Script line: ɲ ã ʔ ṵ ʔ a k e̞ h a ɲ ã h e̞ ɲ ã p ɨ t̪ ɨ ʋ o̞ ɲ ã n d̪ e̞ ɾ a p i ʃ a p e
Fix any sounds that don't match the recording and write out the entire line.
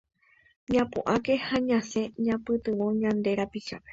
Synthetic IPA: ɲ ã p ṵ ʔ a k e̞ h a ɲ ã s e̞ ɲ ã p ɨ t̪ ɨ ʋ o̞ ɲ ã n d̪ e̞ ɾ a p i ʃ a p e